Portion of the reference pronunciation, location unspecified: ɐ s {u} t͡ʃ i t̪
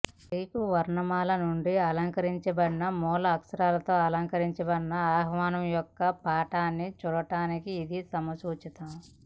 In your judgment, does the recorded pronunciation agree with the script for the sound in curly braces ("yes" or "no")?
no